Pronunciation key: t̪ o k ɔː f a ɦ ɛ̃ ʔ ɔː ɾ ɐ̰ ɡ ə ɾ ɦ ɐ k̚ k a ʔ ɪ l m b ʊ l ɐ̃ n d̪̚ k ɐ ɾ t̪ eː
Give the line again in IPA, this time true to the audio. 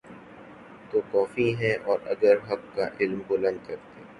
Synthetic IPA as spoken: t̪ o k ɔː f i ɦ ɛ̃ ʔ ɔː ɾ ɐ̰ ɡ ə ɾ ɦ ɐ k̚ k a ʔ ɪ l m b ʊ l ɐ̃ n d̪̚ k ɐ ɾ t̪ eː